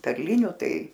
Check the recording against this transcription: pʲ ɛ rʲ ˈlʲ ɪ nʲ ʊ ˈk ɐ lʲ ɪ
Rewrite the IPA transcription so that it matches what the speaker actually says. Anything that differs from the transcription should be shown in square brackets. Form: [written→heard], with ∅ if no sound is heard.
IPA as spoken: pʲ ɛ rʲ ˈlʲ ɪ nʲ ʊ [ˈk→ˈt] ɐ [lʲ→∅] ɪ